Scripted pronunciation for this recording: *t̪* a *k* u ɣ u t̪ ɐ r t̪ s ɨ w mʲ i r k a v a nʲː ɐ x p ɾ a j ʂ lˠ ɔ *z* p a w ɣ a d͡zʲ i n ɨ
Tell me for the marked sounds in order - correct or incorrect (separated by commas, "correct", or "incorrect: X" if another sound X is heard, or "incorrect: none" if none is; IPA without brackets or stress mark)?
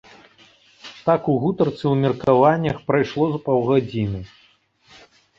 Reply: correct, correct, correct